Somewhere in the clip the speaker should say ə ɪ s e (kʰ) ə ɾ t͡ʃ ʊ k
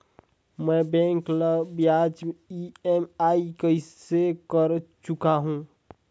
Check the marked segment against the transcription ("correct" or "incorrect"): incorrect